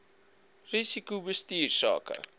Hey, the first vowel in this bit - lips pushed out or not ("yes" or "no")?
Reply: no